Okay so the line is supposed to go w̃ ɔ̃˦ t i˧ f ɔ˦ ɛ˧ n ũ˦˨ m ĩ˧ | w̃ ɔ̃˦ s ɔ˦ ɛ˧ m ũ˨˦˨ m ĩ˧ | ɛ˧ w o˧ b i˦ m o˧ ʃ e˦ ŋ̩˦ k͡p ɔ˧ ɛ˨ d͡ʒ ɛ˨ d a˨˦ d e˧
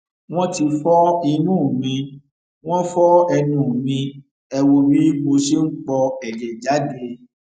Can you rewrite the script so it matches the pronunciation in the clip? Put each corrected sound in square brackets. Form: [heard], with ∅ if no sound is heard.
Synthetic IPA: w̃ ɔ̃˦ t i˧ f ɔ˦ [i˧] n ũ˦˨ m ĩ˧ | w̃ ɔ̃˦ [f] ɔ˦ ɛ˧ [n] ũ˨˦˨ m ĩ˧ | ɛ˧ w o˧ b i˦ m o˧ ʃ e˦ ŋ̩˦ k͡p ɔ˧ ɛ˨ d͡ʒ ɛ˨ [d͡ʒ] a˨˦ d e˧